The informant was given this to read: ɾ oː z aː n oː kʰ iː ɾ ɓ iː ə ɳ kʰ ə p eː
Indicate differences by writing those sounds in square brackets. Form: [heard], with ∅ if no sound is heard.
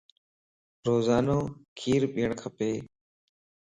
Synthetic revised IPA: ɾ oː z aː n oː kʰ iː ɾ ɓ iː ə ɳ kʰ ə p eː